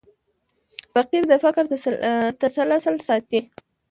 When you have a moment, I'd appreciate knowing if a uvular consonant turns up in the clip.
yes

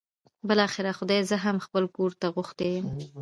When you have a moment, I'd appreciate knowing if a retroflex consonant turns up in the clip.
no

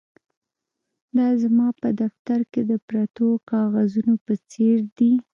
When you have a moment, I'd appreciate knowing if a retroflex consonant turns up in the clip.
no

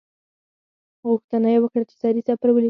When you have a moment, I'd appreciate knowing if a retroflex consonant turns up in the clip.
yes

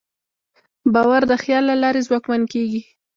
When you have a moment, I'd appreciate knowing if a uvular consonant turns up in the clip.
no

